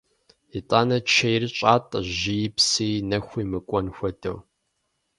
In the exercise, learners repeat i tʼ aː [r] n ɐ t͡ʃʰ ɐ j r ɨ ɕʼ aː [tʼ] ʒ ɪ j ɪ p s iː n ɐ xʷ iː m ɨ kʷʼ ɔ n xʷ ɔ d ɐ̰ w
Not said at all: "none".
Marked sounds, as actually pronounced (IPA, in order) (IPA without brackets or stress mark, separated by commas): none, tʼ